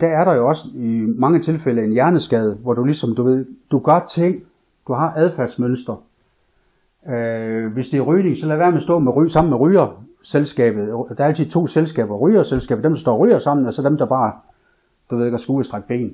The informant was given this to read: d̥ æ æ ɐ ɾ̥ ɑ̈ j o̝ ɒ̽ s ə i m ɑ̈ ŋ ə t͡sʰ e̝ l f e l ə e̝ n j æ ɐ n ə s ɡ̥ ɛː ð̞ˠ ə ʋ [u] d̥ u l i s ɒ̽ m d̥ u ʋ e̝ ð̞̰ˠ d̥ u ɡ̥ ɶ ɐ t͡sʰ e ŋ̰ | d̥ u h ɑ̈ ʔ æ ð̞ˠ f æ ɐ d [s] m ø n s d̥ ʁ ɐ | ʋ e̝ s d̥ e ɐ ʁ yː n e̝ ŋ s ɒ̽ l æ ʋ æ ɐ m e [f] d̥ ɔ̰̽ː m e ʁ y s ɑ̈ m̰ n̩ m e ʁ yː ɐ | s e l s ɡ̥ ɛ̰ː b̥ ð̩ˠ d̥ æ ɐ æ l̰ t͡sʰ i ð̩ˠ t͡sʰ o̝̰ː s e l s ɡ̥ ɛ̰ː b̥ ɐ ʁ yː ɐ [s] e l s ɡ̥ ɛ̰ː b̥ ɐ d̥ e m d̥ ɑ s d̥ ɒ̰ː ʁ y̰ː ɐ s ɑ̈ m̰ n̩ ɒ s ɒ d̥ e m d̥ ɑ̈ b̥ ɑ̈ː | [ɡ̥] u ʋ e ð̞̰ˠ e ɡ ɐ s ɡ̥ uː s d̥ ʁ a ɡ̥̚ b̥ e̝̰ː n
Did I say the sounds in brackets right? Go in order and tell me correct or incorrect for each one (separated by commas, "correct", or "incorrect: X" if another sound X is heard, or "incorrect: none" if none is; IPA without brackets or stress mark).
incorrect: ɒ, correct, incorrect: s, correct, incorrect: d̥